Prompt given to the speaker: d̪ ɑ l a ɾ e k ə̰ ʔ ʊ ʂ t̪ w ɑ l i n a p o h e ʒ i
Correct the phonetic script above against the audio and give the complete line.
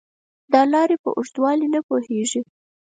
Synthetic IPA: d̪ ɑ l ɑ ɾ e p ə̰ ʔ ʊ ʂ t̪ w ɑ l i n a p o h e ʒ i